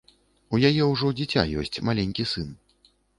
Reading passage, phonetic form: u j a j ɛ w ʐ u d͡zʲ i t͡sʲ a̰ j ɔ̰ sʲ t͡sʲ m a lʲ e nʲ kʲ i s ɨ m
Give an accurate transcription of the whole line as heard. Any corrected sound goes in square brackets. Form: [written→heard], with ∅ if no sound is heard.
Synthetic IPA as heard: u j a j ɛ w ʐ [u→ɔ] d͡zʲ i t͡sʲ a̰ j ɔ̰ sʲ t͡sʲ m a lʲ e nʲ kʲ i s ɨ [m→n]